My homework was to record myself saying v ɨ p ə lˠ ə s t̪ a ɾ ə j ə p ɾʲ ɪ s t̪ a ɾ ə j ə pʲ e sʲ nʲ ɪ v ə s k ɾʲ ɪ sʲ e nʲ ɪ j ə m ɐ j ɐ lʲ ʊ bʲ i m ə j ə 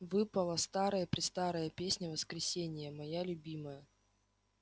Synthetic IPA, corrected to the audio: v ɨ p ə lˠ ə s t̪ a ɾ ə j ə p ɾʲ ɪ s t̪ a ɾ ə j ə pʲ e sʲ nʲ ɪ v ə s k ɾʲ ɪ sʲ e nʲ ɪ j ə m ɐ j a lʲ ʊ bʲ i m ə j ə

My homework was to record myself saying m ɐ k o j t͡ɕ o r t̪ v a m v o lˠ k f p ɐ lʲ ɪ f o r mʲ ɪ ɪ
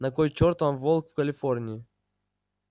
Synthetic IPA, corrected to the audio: n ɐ k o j t͡ɕ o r t̪ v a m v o lˠ k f k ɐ lʲ ɪ f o r nʲ ɪ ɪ

